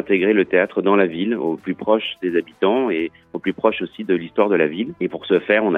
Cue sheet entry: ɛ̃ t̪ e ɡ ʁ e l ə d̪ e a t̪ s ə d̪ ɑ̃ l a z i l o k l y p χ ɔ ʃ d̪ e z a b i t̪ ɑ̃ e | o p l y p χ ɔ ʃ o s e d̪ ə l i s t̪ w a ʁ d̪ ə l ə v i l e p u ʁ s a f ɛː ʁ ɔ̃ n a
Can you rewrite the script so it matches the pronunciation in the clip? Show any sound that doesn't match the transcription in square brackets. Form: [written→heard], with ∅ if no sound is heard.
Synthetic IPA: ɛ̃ t̪ e ɡ ʁ e l ə [d̪→t̪] e a t̪ [s→χ] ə d̪ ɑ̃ l a [z→v] i l o [k→p] l y p χ ɔ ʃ d̪ e z a b i t̪ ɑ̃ e | o p l y p χ ɔ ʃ o s [e→i] d̪ ə l i s t̪ w a ʁ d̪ ə l [ə→a] v i l e p u ʁ s [a→ə] f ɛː ʁ ɔ̃ n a